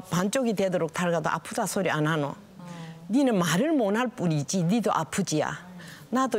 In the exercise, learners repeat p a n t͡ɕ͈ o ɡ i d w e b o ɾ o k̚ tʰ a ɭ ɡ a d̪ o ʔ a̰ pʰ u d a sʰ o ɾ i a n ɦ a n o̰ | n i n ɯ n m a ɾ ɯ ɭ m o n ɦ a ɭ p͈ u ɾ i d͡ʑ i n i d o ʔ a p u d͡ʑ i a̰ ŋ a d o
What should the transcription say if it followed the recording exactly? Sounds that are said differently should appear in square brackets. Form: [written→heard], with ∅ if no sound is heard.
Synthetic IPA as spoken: p a n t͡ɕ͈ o ɡ i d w e [b→d] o ɾ o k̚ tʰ a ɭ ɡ a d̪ o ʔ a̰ pʰ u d a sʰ o ɾ i a n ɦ a n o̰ | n i n ɯ n m a ɾ ɯ ɭ m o n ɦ a ɭ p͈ u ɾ i d͡ʑ i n i d o ʔ a [p→pʰ] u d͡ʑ i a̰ [ŋ→n] a d o